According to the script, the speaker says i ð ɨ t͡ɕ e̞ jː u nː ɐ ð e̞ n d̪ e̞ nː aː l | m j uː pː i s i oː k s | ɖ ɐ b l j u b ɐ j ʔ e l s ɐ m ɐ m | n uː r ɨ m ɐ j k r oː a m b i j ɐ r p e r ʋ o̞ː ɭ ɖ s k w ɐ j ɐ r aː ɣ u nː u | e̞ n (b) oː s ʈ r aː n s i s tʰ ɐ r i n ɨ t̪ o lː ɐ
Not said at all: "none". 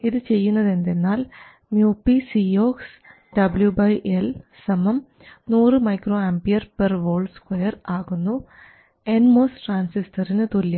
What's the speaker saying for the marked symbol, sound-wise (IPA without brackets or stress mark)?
m